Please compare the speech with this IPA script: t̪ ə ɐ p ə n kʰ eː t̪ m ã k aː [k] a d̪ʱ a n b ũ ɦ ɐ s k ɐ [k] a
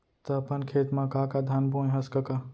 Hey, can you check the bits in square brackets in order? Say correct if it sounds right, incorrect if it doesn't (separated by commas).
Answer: correct, correct